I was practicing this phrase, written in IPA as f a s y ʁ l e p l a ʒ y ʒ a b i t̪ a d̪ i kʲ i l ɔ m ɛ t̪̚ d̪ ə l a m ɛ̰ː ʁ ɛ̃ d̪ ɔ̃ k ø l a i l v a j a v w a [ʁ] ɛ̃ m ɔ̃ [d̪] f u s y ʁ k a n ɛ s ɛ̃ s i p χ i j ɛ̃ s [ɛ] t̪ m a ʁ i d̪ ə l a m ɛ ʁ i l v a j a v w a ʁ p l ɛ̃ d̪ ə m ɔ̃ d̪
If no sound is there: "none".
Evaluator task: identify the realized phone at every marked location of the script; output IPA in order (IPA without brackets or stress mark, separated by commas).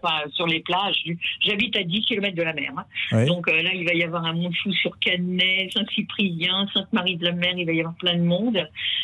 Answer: ʁ, d̪, ɛ̃